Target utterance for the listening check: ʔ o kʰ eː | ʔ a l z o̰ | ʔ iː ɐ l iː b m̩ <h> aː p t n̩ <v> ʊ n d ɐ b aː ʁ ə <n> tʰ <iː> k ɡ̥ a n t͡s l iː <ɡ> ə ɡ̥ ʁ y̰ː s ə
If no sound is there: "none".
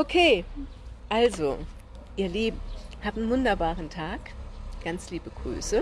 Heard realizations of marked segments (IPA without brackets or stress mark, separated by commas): h, v, n, aː, b